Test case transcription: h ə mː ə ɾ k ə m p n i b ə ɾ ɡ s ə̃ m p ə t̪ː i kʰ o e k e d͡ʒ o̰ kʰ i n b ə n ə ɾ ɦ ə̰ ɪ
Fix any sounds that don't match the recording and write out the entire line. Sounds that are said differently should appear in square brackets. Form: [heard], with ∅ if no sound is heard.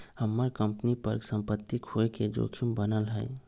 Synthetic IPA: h ə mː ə ɾ k ə m p n i [p] ə ɾ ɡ s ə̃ m p ə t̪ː i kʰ o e k e d͡ʒ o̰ kʰ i [m] b ə n ə [l] ɦ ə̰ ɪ